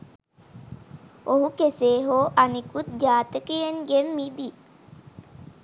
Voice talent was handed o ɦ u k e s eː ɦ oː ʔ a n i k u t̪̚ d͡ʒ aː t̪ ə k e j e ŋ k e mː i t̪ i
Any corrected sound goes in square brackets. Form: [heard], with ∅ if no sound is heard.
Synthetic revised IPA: o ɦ u k e s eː ɦ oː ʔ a n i k u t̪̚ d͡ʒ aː t̪ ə k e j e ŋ [ɡ] e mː i [d̪] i